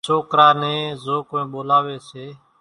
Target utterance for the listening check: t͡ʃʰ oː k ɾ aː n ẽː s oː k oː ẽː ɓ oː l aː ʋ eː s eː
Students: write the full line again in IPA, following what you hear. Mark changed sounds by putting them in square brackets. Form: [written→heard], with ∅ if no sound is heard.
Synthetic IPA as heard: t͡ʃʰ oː k ɾ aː n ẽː [s→z] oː k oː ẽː ɓ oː l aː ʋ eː s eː

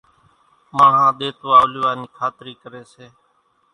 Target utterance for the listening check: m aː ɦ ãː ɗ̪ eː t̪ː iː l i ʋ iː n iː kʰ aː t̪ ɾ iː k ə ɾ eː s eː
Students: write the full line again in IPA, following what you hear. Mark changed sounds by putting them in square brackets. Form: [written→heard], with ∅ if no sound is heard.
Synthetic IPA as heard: m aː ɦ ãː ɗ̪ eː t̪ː [iː→aː] l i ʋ [iː→aː] n iː kʰ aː t̪ ɾ iː k ə ɾ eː s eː

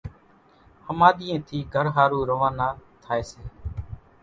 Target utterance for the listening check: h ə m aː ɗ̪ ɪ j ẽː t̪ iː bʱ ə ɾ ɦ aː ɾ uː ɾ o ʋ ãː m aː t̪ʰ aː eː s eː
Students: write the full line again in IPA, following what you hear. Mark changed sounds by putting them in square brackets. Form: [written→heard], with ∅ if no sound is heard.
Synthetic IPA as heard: h ə m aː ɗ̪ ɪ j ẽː [t̪→t̪ʰ] iː [bʱ→ɡʱ] ə ɾ ɦ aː ɾ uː ɾ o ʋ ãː [m→n] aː t̪ʰ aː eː s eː

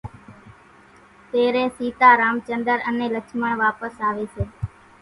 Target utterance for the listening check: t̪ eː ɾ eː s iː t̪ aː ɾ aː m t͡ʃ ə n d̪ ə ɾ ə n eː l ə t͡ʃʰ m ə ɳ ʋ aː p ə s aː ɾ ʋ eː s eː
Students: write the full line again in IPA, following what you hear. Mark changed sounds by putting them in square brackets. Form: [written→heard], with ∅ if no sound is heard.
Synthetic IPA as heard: t̪ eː ɾ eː s iː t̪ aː ɾ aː m t͡ʃ ə n d̪ ə ɾ ə n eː l ə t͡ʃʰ m ə ɳ ʋ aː p ə s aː [ɾ→∅] ʋ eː s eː

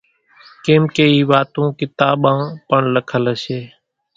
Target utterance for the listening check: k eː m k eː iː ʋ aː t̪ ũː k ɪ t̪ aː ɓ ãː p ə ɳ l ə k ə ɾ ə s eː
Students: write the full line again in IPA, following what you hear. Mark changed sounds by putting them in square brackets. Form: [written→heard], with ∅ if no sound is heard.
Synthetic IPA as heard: k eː m k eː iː ʋ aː t̪ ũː k ɪ t̪ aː ɓ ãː p ə ɳ l ə [k→kʰ] ə [ɾ→l] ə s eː

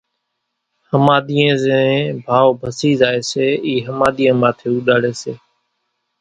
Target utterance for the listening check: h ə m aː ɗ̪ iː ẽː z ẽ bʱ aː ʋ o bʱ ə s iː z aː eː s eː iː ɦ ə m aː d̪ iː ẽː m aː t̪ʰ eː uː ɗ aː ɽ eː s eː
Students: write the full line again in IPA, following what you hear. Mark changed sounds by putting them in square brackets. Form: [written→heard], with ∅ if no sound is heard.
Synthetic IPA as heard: h ə m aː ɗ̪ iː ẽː z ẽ bʱ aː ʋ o bʱ ə s iː z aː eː s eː iː ɦ ə m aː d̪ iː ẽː m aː t̪ʰ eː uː ɗ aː ɽ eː s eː

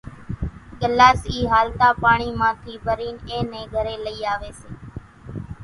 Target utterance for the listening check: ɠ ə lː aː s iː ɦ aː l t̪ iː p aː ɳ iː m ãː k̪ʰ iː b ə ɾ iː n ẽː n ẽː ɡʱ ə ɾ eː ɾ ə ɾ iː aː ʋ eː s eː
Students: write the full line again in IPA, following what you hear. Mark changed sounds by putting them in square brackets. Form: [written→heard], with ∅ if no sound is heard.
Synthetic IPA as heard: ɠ ə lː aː s iː ɦ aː l t̪ [iː→aː] p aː ɳ iː m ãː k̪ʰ iː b ə ɾ iː n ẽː n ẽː ɡʱ ə ɾ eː [ɾ→l] ə [ɾ→∅] iː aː ʋ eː s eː

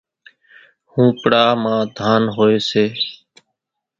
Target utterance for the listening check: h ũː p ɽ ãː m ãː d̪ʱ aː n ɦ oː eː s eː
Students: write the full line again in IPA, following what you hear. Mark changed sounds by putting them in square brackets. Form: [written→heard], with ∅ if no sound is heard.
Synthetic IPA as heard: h ũː p ɽ [ãː→aː] m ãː d̪ʱ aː n ɦ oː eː s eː

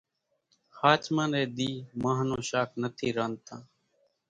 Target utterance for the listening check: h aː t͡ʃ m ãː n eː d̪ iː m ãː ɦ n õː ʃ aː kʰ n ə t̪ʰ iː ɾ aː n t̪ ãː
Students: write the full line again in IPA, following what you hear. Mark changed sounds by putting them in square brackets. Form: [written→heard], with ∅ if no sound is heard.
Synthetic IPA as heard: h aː t͡ʃ m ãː n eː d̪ iː m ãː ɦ n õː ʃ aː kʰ n ə t̪ʰ iː ɾ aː n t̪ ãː

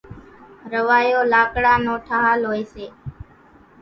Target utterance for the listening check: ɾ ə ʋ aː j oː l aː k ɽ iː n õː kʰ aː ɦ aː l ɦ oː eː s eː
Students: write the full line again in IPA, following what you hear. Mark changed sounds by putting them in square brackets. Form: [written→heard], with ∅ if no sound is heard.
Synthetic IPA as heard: ɾ ə ʋ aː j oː l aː k ɽ [iː→aː] n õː [kʰ→ʈʰ] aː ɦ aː l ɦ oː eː s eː

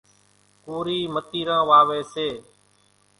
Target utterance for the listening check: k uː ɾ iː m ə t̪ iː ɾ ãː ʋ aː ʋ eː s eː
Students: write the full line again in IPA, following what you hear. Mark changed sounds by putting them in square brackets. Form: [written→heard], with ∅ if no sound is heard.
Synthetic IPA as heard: k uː ɾ iː m ə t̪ iː ɾ ãː ʋ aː ʋ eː s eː

